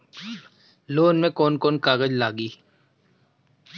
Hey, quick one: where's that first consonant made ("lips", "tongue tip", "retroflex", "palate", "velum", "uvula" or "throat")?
tongue tip